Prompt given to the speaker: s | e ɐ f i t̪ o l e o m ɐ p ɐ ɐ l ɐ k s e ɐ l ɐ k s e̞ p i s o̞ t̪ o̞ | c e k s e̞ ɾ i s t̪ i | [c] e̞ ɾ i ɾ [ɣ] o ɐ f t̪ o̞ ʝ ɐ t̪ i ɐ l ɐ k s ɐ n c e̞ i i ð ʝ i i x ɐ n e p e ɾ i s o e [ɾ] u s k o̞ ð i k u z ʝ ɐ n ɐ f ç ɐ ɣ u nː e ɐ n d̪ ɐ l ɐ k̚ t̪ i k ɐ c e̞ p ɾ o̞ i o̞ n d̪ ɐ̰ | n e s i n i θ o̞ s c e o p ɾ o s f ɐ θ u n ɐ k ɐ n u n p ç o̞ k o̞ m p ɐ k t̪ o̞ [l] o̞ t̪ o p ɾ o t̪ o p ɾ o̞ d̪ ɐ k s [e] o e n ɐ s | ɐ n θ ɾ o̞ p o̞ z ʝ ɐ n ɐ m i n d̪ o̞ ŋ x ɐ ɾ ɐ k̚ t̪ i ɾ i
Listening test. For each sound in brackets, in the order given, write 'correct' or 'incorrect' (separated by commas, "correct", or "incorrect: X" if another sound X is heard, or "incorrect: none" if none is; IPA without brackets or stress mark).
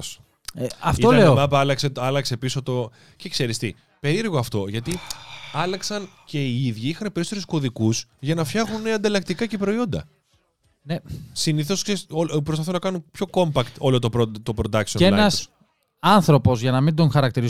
incorrect: p, correct, correct, correct, incorrect: i